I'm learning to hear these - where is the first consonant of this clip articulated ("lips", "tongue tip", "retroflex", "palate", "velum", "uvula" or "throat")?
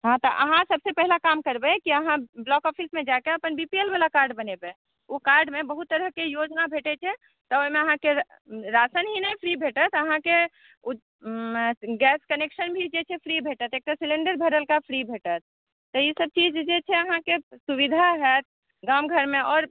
throat